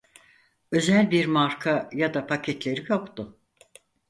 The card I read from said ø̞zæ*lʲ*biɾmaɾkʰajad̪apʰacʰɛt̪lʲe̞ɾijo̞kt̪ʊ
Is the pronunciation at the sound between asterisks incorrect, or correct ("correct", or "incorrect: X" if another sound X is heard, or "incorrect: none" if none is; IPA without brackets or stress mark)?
correct